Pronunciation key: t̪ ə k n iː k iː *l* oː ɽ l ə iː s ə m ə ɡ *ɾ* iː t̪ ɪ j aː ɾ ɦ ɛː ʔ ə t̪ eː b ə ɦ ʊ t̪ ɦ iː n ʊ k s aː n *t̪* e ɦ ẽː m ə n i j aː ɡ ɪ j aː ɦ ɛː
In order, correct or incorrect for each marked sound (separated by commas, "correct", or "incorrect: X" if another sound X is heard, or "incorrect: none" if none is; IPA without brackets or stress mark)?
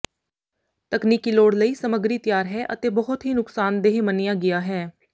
correct, correct, incorrect: d̪